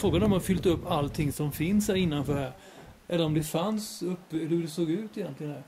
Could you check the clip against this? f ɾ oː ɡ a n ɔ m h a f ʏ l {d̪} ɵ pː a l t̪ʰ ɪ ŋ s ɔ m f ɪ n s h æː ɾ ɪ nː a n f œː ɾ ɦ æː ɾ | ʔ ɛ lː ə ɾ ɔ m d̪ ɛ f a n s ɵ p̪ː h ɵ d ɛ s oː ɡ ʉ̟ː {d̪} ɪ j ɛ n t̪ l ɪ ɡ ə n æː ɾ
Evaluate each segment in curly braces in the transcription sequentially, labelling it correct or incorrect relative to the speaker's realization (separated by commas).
incorrect, incorrect